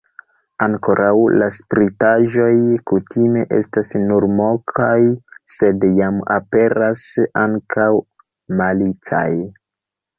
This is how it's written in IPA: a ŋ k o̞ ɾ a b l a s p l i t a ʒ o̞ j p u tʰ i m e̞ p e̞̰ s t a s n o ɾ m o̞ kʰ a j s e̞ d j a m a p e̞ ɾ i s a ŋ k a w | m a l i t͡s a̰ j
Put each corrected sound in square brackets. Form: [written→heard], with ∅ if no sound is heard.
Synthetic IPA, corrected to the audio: a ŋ k o̞ ɾ a [b→w] l a s p [l→ɾ] i t a ʒ o̞ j [p→k] u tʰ i m e̞ [p→ʔ] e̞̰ s t a s n [o→u] ɾ m o̞ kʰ a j s e̞ d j a m a p e̞ ɾ [i→a] s a ŋ k a w | m a l i t͡s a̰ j